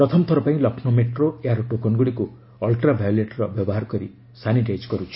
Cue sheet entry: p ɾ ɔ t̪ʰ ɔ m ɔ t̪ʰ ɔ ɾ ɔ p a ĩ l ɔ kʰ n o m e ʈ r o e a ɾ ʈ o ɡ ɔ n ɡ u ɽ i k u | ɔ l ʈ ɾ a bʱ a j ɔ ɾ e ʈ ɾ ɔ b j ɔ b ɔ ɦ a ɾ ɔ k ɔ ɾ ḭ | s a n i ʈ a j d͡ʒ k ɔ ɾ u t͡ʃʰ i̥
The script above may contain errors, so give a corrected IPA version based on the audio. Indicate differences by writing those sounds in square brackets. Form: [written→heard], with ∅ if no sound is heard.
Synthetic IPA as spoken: p ɾ ɔ t̪ʰ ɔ m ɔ t̪ʰ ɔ ɾ ɔ p a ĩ l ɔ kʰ n o m e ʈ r o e a ɾ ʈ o [ɡ→k] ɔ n ɡ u ɽ i k u | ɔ l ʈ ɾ a bʱ a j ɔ [ɾ→l] e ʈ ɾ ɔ b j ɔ b ɔ ɦ a ɾ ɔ k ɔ ɾ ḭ | s a n i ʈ a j d͡ʒ k ɔ ɾ u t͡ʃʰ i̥